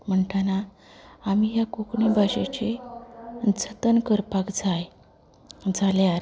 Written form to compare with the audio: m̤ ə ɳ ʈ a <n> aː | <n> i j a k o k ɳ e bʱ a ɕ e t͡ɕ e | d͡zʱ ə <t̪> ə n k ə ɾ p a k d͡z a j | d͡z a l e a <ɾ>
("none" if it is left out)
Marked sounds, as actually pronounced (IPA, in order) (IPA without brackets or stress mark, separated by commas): n, m, t̪, ɾ